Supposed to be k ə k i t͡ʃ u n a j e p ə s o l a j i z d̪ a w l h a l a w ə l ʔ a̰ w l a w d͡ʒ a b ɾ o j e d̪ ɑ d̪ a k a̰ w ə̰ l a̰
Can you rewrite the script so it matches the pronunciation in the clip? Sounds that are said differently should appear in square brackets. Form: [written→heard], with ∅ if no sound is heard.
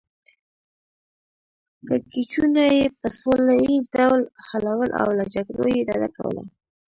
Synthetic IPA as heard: k ə k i t͡ʃ u n a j e p ə s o l a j i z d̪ a w l h a l a w ə l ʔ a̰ w l a [w→∅] d͡ʒ a [b→ɡ] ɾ o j e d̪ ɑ d̪ a k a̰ w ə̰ l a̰